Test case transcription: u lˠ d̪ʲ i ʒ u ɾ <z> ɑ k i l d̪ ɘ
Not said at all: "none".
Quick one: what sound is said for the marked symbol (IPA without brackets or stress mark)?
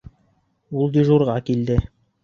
ʁ